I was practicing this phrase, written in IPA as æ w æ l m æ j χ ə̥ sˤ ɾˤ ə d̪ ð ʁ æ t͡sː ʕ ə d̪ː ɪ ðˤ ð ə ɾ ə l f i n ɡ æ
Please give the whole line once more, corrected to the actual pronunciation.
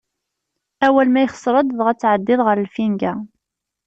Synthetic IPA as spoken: æ w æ l m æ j χ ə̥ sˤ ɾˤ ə d̪ ð ʁ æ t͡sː ʕ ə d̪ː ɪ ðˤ ʁ ə ɾ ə l f i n ɡ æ

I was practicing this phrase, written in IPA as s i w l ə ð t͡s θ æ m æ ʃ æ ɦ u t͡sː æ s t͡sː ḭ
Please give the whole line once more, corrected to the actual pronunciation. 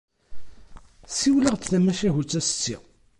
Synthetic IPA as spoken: s i w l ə ʁ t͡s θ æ m æ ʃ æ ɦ u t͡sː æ s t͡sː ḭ

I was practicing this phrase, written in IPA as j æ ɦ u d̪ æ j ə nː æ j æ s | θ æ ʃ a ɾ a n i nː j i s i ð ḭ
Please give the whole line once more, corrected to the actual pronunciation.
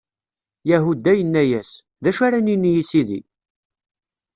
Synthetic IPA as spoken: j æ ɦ u d̪ æ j ə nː æ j æ s | ð æ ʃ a ɾ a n i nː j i s i ð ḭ

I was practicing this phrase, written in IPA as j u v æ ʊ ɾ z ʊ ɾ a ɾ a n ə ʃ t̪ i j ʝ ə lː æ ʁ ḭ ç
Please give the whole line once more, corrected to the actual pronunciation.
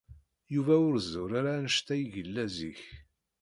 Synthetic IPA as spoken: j u v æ ʊ ɾ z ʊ ɾ a ɾ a n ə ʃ t̪ æ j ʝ ə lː æ z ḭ ç

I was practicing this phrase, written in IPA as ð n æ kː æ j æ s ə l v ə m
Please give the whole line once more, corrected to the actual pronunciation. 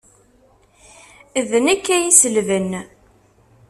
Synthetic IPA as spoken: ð n æ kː æ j i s ə l v ə n

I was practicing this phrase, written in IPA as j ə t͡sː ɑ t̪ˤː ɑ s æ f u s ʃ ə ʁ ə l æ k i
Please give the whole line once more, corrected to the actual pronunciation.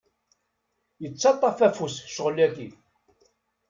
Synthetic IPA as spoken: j ə t͡sː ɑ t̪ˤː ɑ f æ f u s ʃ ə ʁ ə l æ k i

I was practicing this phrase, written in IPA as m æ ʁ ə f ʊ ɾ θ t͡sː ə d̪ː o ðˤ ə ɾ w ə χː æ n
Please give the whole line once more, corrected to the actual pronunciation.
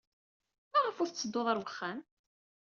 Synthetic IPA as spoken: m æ ʁ ə f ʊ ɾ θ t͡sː ə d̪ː o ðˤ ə ɾ w ə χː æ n

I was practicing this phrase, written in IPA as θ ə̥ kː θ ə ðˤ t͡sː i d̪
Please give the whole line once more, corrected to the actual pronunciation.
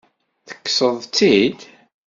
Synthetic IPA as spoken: θ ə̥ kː s ə ðˤ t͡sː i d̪

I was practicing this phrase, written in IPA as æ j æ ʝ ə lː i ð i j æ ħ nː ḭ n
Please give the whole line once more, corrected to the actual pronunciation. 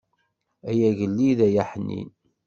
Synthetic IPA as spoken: æ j æ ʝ ə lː i ð æ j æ ħ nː ḭ n

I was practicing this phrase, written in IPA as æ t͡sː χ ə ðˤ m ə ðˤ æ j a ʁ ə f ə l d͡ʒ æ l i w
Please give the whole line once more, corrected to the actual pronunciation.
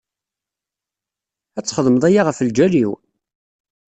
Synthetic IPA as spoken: æ t͡sː χ ə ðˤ m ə ðˤ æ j a ʁ ə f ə l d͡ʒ æ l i w

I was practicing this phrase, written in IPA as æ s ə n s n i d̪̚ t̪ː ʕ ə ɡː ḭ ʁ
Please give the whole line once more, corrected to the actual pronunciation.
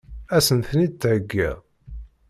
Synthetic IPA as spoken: æ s ə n θ n i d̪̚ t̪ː ʕ ə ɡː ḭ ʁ

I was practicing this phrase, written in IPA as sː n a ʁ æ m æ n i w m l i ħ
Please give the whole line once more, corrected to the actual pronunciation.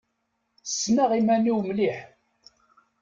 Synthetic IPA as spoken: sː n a ʁ i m æ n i w m l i ħ

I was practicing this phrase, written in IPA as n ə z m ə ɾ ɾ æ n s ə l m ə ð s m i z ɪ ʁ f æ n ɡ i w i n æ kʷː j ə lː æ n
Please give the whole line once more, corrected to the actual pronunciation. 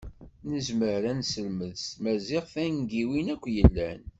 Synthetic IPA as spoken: n ə z m ə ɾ ɾ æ n s ə l m ə ð s m æ z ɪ ʁ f æ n ɡ i w i n æ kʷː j ə lː æ n

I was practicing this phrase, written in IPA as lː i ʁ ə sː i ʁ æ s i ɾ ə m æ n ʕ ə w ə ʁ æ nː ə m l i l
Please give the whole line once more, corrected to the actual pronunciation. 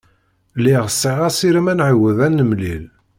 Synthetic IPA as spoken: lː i ʁ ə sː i ʁ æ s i ɾ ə m æ n ʕ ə w ə ð æ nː ə m l i l

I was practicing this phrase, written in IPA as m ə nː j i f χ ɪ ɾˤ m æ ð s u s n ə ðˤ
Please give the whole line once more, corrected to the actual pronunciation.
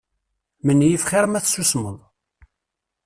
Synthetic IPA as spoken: m ə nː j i f χ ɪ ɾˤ m æ θ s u s m ə ðˤ

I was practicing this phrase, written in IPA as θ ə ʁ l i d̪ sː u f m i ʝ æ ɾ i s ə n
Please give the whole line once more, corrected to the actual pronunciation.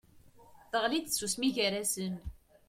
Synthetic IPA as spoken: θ ə ʁ l i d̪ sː u s m i ʝ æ ɾ æ s ə n

